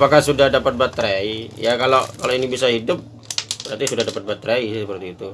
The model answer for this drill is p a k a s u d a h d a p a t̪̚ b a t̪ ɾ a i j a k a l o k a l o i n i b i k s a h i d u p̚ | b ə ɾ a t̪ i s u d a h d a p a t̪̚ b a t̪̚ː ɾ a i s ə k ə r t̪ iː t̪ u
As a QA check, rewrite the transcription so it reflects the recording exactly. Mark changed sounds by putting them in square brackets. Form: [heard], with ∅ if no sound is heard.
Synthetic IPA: p a k a s u d a h d a p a t̪̚ b a t̪ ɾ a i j a k a l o k a l o i n i b i [∅] s a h i d [ʊ] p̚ | b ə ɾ a t̪ i s u d a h d a p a t̪̚ b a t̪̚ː ɾ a i s ə [p] ə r t̪ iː t̪ u